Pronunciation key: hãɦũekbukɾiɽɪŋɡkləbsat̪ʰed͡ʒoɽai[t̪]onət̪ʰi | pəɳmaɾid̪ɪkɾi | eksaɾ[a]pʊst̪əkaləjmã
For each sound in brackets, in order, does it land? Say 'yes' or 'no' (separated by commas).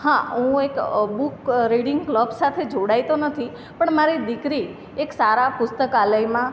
yes, yes